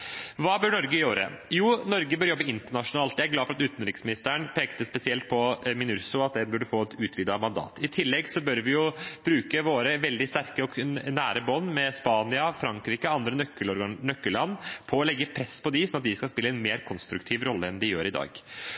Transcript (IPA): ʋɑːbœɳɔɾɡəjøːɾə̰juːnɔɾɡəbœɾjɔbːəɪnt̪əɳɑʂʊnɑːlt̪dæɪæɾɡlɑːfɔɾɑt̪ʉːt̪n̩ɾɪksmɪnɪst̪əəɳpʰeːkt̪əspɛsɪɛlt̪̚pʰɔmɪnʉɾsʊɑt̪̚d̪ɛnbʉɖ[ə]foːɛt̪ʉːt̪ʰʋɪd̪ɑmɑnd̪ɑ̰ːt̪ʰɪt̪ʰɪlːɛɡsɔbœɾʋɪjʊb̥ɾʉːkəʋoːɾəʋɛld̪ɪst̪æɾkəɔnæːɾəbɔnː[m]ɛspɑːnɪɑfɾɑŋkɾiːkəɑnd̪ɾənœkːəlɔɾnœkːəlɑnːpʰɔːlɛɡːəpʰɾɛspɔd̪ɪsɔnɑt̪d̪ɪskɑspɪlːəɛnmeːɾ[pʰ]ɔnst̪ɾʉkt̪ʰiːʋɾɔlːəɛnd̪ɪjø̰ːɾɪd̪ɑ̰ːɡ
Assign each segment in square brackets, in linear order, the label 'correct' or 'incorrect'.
correct, correct, incorrect: kʰ

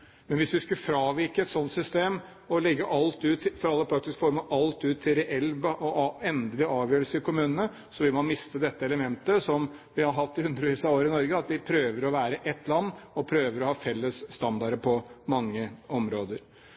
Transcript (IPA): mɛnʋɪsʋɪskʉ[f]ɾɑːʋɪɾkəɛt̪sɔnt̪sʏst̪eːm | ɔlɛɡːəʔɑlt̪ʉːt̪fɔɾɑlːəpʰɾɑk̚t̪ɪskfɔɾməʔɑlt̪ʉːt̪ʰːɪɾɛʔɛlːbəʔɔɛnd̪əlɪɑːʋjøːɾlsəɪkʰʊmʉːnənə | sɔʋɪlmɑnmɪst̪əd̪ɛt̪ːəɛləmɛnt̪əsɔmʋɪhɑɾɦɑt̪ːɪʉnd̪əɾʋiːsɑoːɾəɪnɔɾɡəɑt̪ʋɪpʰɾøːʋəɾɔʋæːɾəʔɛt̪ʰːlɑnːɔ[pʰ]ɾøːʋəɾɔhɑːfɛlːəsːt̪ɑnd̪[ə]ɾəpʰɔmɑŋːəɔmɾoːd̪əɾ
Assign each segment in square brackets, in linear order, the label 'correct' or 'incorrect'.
correct, correct, incorrect: ɑ

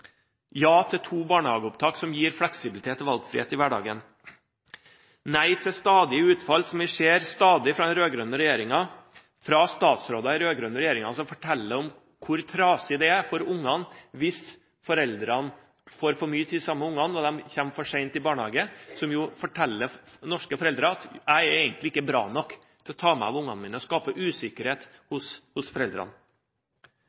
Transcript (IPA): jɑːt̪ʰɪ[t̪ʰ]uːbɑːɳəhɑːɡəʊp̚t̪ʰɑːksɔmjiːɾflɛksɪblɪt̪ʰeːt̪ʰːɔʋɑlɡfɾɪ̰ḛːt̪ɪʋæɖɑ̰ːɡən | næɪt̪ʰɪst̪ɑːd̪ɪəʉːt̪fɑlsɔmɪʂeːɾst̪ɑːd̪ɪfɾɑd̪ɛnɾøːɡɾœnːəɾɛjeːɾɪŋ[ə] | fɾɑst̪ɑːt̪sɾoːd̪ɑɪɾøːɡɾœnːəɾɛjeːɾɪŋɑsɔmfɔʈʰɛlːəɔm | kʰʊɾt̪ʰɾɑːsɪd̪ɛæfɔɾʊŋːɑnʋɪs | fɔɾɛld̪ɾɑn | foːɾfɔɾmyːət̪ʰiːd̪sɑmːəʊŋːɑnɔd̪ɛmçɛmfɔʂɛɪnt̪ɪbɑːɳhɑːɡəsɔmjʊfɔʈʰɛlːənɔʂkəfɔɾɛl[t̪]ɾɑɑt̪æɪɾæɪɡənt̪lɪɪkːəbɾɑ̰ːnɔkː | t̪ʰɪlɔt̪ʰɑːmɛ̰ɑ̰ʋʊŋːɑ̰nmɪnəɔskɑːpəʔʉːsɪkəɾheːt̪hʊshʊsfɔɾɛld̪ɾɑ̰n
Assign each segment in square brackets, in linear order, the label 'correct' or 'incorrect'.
correct, incorrect: ɑ, incorrect: d̪

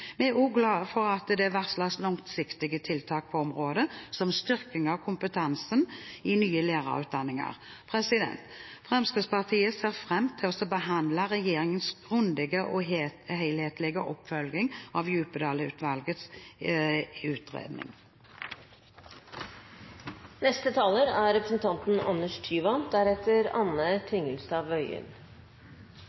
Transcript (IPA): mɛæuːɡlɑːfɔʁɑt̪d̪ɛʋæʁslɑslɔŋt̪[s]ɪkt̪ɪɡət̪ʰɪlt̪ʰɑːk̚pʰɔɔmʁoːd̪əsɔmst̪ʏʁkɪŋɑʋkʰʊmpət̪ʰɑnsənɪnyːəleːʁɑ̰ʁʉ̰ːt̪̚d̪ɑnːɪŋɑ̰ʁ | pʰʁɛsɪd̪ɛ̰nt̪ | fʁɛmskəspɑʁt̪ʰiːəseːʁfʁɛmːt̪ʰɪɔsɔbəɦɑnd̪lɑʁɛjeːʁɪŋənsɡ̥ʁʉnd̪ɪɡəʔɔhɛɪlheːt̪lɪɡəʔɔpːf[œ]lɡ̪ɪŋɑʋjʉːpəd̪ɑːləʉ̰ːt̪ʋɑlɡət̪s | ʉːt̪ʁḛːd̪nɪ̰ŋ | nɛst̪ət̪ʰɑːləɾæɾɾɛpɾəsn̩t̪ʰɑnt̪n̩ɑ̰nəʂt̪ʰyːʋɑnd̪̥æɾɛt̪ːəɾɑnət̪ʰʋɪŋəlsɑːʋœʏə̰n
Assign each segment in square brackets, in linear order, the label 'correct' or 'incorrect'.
correct, correct

